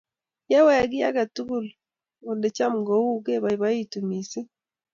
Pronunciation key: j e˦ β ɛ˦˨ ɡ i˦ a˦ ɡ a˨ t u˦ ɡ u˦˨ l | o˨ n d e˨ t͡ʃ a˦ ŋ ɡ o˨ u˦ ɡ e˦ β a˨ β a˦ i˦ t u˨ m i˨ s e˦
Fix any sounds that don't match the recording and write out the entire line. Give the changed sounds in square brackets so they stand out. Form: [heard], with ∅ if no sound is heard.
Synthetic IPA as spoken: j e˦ [w] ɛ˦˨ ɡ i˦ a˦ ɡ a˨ t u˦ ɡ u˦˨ l | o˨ n d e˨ t͡ʃ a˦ [m] ɡ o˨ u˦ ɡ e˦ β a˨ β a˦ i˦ t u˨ m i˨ s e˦